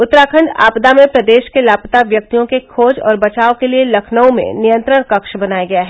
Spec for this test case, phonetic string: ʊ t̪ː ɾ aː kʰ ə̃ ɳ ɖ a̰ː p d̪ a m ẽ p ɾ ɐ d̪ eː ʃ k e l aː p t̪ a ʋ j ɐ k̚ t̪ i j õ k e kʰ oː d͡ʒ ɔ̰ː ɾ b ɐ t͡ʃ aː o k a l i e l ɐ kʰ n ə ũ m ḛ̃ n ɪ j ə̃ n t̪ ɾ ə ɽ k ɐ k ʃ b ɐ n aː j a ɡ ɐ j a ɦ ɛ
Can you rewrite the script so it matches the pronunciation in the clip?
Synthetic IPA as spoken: ʊ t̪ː ɾ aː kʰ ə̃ ɳ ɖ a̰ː p d̪ a m ẽ p ɾ ɐ d̪ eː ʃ k e l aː p t̪ a ʋ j ɐ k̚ t̪ i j õ k e kʰ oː d͡ʒ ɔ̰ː ɾ b ɐ t͡ʃ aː o k e l i e l ɐ kʰ n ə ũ m ḛ̃ n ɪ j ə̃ n t̪ ɾ ə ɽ k ɐ k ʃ b ɐ n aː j a ɡ ɐ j a ɦ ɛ